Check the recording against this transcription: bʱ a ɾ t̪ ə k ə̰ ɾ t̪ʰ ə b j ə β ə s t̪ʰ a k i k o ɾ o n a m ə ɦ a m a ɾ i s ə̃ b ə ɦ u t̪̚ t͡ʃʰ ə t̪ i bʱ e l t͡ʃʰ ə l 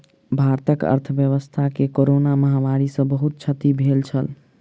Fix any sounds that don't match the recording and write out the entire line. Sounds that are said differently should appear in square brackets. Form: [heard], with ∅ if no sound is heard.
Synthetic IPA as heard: bʱ a ɾ t̪ ə k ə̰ ɾ t̪ʰ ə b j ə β ə s t̪ʰ a k [e] k o ɾ o n a m ə ɦ a m a ɾ i s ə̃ b ə ɦ u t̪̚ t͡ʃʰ ə t̪ i bʱ e l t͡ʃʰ ə l